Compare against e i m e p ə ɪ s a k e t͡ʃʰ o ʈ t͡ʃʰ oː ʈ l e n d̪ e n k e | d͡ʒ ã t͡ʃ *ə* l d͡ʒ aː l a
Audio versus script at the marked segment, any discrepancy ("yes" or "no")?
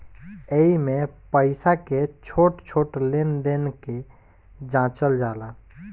no